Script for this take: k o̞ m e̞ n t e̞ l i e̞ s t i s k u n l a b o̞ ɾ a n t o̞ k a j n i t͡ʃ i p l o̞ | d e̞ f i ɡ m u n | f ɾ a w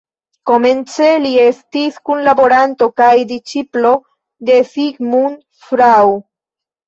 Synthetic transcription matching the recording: k o̞ m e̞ n t͡s e̞ l i e̞ s t i s k u n l a b o̞ ɾ a n t o̞ k a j d i t͡ʃ i p l o̞ | d e̞ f i ɡ m u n | f ɾ a w